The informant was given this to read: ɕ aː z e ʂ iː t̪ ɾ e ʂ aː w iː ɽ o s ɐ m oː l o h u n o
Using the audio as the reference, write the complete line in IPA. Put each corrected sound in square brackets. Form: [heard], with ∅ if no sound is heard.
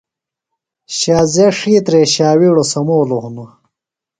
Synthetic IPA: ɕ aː z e ʂ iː t̪ ɾ e [ɕ] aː w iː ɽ o s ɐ m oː l o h u n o

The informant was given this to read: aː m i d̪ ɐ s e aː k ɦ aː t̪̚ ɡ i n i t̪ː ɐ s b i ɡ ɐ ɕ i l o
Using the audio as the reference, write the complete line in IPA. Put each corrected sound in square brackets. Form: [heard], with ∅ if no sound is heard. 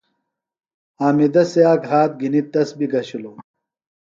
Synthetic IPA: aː m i d̪ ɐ s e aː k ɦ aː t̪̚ ɡ i n i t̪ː ɐ s b i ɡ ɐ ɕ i l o

